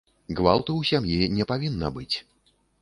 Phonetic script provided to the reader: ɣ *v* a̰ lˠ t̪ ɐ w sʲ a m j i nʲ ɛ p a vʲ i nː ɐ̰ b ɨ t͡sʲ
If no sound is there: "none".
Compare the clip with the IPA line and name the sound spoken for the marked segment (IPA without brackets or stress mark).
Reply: v